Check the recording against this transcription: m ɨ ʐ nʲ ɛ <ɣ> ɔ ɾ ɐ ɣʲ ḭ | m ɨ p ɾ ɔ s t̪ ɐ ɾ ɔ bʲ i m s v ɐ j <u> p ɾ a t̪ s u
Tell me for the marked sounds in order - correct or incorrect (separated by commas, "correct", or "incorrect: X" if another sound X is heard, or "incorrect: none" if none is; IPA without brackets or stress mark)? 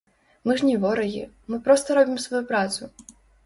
incorrect: v, correct